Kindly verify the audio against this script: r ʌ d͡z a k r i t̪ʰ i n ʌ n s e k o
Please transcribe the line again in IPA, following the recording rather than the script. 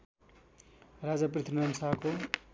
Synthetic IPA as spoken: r a d͡z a p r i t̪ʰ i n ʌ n s a k o